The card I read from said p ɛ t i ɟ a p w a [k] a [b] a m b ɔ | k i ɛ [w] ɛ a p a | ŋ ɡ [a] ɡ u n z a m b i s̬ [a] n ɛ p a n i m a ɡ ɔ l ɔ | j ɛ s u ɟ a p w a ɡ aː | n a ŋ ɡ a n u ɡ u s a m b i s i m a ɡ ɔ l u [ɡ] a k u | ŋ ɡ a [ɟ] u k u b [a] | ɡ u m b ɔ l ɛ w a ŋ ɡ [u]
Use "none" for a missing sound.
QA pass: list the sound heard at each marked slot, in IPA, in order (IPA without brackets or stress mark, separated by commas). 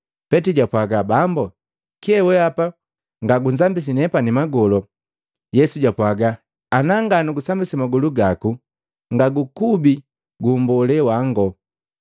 ɡ, b, w, a, i, ɡ, ɡ, i, ɔ